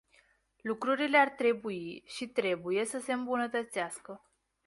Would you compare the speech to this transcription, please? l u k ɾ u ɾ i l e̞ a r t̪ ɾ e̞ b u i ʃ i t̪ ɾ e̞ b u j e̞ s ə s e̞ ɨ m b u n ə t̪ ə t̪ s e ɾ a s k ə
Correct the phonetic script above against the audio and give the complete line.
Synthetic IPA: l u k ɾ u ɾ i l e̞ a r t̪ ɾ e̞ b u i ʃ i t̪ ɾ e̞ b u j e̞ s ə s e̞ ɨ m b u n ə t̪ ə t̪ s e a s k ə